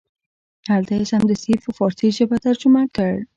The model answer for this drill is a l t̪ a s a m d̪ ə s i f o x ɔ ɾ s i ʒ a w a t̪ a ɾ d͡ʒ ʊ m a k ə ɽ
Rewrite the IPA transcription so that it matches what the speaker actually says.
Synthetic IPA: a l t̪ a s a m d̪ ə s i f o f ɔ ɾ s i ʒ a b a t̪ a ɾ d͡ʒ ʊ m a k ə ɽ